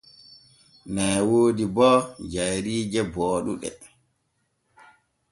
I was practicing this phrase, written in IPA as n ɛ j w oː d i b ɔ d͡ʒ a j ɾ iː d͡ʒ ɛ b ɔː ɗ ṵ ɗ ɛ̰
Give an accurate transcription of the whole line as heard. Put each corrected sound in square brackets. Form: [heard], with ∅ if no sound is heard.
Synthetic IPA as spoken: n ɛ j w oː d i b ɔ d͡ʒ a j ɾ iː d͡ʒ ɛ b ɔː ɗ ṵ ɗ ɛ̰